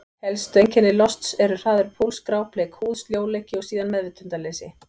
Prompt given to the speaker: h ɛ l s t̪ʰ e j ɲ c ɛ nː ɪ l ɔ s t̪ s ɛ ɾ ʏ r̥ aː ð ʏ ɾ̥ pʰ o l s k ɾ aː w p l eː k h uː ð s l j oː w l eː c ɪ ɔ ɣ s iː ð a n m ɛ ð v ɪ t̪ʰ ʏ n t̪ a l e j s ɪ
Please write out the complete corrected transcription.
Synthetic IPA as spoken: h ɛ l s t̪ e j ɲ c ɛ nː ɪ l ɔ s t̪ s ɛ ɾ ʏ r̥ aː ð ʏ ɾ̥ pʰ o l s k ɾ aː w p l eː k h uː ð s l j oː w l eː c ɪ ɔ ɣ s iː ð a n m ɛ ð v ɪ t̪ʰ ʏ n t̪ a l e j s ɪ